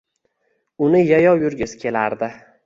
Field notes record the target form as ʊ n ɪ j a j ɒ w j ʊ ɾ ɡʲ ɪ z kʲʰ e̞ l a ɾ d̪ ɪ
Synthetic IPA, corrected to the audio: ʊ n ɪ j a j ɒ w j ʊ ɾ ɡʲ ɪ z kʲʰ e̞ l a ɾ d̪ ɪ